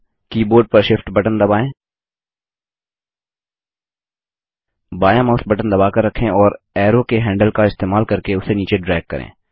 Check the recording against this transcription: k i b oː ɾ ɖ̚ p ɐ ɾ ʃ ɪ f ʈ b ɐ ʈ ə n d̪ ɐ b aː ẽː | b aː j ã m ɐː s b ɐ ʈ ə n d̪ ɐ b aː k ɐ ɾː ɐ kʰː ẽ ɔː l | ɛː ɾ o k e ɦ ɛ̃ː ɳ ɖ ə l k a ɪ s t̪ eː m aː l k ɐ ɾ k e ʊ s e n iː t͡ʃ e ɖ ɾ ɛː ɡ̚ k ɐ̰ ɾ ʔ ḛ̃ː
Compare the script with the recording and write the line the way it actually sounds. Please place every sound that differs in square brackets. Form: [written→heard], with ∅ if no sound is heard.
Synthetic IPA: k [i→iː] b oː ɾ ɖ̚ p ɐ ɾ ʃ ɪ f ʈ b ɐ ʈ ə n d̪ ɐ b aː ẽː | b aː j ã m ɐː s b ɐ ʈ ə n d̪ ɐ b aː k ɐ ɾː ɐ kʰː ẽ ɔː [l→ɾ] | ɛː ɾ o k e ɦ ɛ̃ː ɳ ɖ ə l k a ɪ s t̪ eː m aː l k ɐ ɾ k e ʊ s e n iː t͡ʃ e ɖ ɾ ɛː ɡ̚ k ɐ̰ ɾ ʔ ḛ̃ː